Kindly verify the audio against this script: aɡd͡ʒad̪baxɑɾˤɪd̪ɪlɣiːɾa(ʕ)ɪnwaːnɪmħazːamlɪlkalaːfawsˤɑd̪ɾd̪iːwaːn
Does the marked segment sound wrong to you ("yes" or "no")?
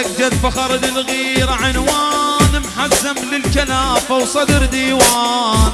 no